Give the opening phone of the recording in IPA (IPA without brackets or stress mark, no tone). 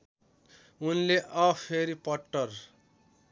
u